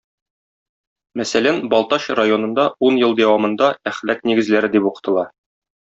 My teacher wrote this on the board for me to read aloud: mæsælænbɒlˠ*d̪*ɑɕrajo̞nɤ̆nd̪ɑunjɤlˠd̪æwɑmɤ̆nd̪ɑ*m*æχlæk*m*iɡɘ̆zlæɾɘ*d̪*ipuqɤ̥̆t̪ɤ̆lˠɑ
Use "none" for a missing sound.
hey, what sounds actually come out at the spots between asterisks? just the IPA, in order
t̪, none, n, d̪

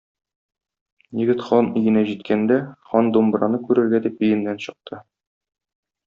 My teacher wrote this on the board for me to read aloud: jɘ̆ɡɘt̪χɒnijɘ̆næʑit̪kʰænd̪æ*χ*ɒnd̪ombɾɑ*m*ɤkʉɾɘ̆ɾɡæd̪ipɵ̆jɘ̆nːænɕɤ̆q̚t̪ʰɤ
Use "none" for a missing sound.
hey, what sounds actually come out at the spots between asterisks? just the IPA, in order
χ, n

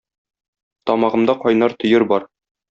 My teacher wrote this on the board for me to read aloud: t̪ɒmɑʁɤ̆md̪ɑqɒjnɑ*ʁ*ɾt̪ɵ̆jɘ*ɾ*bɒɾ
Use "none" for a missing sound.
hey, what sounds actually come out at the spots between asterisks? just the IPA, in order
none, ɾ

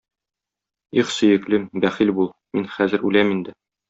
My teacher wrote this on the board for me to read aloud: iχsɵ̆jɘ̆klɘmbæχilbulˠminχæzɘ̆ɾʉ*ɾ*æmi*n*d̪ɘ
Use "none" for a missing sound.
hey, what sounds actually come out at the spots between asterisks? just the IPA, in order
l, n

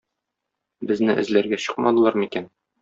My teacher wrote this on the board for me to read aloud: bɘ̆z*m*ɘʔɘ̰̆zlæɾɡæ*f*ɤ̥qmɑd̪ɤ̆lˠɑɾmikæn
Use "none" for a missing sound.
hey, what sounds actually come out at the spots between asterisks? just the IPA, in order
n, ɕ

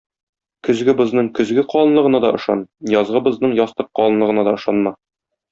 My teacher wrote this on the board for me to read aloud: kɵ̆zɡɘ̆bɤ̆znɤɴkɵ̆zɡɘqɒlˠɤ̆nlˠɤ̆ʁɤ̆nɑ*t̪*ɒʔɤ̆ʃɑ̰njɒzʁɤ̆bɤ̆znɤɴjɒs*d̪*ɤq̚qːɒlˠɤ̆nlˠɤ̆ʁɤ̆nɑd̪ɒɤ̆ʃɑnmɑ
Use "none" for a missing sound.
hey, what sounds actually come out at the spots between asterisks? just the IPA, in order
d̪, t̪

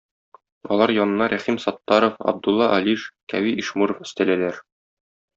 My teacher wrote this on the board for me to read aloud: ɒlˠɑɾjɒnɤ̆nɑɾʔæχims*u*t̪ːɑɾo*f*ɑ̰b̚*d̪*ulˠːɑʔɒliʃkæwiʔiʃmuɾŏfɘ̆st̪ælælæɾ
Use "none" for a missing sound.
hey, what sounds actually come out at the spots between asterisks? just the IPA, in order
ɒ, f, d̪

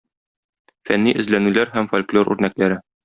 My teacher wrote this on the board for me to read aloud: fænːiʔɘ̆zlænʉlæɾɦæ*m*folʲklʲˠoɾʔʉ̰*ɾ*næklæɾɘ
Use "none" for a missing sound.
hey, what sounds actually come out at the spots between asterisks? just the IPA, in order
m, ɾ

